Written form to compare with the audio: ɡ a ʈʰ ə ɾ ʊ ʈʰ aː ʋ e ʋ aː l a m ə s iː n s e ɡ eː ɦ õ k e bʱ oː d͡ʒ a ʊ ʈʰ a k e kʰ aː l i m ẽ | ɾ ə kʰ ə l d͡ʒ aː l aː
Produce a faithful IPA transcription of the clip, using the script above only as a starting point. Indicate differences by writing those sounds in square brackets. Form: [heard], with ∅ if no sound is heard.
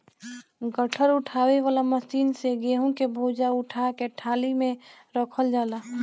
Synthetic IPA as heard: ɡ [ə] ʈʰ ə ɾ ʊ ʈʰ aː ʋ e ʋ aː l a m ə s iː n s e ɡ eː ɦ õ k e bʱ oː d͡ʒ a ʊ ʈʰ a k e [ʈʰ] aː l i m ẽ | ɾ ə kʰ ə l d͡ʒ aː l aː